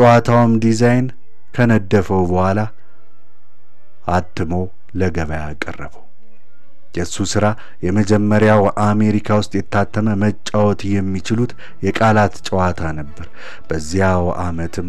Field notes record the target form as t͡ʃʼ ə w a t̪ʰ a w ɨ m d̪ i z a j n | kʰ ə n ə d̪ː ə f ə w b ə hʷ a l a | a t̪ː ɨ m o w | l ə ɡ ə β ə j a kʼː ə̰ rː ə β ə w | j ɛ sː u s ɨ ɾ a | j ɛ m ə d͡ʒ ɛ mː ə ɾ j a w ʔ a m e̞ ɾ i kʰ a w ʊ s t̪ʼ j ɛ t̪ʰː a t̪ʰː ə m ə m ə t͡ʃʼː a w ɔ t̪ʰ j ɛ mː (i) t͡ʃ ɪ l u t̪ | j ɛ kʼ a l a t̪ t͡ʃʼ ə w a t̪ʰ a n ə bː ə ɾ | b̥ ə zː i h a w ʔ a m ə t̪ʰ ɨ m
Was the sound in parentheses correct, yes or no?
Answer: yes